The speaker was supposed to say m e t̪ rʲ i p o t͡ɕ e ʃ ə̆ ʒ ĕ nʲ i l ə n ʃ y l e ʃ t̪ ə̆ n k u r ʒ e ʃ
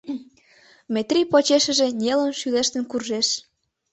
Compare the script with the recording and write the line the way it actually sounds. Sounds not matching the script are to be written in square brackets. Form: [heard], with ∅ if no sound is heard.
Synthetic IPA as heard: m e t̪ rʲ i p o t͡ɕ e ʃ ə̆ ʒ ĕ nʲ [e] l ə n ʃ y l e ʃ t̪ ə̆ n k u r ʒ e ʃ